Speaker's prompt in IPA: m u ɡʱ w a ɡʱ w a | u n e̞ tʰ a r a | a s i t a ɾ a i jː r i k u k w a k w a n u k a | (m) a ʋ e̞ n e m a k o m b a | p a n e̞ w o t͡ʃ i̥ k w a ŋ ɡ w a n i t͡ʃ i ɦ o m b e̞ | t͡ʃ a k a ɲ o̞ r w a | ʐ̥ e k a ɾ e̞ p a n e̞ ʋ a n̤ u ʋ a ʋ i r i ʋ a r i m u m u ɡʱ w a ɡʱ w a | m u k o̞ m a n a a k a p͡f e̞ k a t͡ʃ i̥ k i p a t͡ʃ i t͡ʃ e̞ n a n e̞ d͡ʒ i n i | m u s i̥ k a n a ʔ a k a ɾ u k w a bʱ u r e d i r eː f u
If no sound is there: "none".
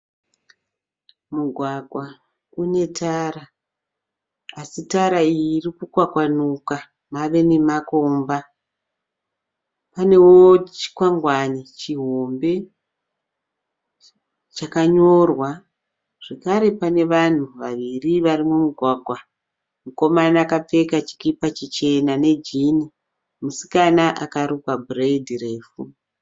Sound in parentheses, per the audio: m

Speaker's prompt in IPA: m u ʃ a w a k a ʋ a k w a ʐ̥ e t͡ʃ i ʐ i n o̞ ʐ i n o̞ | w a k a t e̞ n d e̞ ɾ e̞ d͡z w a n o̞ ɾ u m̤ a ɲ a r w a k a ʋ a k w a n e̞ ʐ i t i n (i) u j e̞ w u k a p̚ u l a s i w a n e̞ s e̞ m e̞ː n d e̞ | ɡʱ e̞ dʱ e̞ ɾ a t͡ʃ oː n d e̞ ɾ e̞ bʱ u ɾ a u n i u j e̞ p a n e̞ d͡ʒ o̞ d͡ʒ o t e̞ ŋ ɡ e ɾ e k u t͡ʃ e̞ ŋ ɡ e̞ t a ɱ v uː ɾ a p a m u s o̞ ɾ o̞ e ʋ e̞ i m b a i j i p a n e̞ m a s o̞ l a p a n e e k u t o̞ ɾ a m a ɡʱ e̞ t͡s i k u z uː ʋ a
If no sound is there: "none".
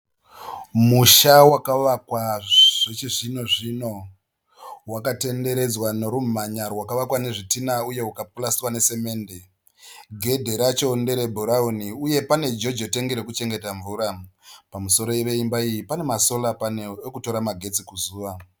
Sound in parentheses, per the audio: a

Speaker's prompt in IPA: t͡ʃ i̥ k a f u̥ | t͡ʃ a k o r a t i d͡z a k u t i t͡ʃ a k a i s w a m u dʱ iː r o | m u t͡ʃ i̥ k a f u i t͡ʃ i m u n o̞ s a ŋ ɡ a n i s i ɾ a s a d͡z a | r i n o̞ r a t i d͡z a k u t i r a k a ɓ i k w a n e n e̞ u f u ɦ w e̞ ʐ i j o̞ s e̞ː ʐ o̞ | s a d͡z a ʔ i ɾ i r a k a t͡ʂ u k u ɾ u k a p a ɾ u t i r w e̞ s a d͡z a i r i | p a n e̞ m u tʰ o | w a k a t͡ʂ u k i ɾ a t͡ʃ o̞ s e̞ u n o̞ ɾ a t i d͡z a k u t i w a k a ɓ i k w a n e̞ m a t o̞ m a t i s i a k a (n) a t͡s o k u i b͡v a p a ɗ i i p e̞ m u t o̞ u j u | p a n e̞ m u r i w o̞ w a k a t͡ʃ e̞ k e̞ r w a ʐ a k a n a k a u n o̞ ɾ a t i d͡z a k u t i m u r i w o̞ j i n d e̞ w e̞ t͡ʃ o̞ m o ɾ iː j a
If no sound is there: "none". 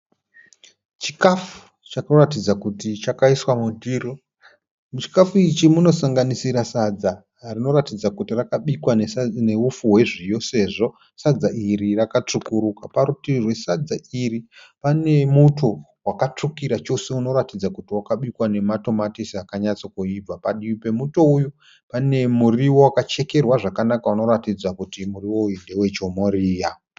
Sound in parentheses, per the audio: ɲ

